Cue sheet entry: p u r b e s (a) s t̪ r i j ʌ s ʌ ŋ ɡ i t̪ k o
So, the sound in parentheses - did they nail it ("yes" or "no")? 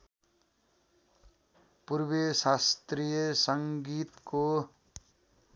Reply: yes